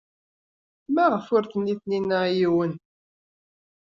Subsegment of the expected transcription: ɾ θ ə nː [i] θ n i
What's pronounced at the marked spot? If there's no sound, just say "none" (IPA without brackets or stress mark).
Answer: i